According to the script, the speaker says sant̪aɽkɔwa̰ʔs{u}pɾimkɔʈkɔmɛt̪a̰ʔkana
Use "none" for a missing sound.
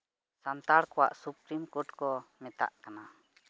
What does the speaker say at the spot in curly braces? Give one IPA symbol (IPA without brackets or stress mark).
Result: u